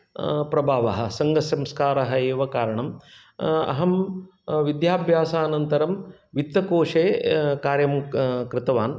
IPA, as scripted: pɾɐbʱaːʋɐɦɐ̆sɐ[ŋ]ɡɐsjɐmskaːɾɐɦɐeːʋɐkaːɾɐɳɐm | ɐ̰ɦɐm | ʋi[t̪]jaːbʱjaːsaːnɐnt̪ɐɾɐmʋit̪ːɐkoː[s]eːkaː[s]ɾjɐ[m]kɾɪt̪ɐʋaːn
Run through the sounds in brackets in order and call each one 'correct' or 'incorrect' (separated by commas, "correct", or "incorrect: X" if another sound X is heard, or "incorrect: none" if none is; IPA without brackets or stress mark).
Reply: correct, incorrect: d̪, incorrect: ʂ, incorrect: none, correct